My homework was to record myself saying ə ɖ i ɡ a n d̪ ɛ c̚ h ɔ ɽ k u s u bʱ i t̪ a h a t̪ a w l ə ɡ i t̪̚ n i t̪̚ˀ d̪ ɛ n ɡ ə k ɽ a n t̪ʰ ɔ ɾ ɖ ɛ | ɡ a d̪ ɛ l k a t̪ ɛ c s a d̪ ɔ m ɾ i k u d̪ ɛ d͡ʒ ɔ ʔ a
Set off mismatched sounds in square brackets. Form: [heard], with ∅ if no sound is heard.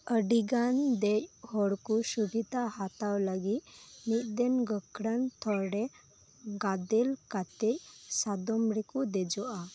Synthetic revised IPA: ə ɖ i ɡ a n d̪ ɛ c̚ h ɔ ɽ k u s u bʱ i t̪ a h a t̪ a w l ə ɡ i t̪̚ n i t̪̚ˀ d̪ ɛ n ɡ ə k ɽ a n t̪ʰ ɔ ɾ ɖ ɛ | ɡ a d̪ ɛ l k a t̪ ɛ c s a d̪ ɔ m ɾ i k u d̪ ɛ d͡ʒ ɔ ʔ a